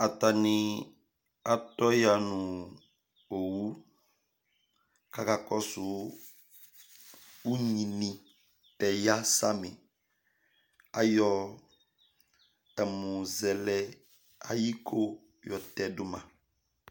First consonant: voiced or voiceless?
voiceless